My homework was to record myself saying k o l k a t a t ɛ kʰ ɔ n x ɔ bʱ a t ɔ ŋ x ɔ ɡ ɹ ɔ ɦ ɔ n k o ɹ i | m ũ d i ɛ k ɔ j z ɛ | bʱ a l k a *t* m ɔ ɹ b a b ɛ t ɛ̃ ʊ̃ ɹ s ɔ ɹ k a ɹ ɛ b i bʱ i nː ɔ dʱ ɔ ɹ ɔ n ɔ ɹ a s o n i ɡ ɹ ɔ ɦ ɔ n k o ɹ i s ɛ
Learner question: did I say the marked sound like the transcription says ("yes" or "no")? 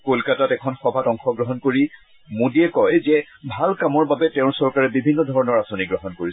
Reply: no